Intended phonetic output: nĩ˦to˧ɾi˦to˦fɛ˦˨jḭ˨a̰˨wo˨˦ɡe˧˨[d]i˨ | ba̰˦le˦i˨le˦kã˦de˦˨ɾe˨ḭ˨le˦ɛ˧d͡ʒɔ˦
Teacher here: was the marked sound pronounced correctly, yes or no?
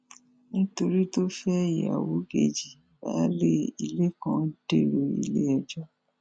no